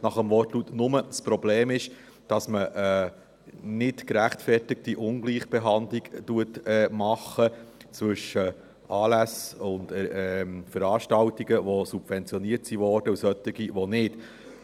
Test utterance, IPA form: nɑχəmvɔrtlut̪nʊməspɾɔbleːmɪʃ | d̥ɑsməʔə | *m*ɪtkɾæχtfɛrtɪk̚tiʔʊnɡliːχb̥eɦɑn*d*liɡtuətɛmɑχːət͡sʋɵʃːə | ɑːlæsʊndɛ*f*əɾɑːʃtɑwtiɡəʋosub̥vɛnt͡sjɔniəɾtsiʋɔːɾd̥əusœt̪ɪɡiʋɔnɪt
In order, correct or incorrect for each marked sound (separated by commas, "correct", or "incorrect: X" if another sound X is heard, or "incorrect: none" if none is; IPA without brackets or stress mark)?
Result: incorrect: n, correct, correct